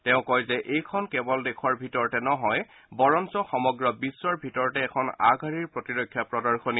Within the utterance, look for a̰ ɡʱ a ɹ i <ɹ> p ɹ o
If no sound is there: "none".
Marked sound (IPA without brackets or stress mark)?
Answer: ɹ